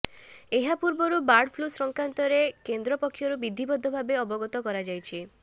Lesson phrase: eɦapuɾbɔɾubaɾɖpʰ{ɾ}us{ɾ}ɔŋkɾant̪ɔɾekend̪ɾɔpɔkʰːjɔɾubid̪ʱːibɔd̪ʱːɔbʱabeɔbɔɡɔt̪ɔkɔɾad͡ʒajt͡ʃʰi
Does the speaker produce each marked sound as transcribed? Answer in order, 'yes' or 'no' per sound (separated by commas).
no, yes